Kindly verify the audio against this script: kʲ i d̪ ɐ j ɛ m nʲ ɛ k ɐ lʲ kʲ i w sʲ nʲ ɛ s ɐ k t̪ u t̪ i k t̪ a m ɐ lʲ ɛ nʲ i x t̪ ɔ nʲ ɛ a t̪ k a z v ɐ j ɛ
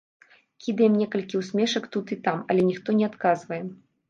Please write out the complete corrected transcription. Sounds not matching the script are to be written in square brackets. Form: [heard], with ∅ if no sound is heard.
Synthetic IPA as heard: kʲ i d̪ ɐ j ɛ m nʲ ɛ k ɐ lʲ kʲ i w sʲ [mʲ] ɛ [ʂ] ɐ k t̪ u t̪ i [∅] t̪ a m ɐ lʲ ɛ nʲ i x t̪ ɔ nʲ ɛ a t̪ k a z v ɐ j ɛ